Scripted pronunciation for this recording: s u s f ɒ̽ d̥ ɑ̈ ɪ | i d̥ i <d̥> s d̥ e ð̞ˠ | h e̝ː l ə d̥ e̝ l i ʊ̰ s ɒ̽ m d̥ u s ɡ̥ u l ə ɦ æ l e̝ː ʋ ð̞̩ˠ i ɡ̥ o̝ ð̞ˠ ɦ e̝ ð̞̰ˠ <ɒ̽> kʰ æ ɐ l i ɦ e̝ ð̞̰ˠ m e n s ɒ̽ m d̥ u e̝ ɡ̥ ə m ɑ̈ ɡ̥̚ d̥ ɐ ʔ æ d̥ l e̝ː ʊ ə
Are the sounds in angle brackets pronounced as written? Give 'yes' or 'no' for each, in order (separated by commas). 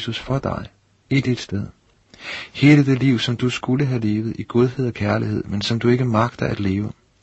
yes, yes